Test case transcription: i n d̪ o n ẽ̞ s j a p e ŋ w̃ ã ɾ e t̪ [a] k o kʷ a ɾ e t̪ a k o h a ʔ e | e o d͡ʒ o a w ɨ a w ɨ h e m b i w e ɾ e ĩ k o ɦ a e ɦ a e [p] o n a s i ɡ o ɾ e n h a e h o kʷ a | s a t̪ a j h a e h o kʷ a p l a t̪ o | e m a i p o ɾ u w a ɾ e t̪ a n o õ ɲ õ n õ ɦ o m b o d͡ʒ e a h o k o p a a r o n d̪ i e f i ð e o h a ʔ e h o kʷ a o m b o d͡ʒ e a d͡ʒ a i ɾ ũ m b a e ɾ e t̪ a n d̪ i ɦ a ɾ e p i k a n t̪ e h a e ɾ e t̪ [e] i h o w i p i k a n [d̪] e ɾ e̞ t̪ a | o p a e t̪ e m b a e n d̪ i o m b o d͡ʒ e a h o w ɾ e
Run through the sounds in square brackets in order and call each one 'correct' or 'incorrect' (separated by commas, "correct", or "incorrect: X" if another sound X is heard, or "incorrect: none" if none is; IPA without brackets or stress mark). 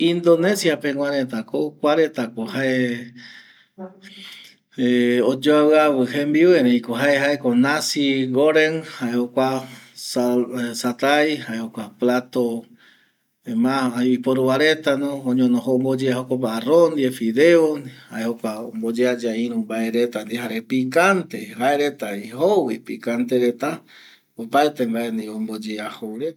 correct, incorrect: k, incorrect: a, incorrect: t̪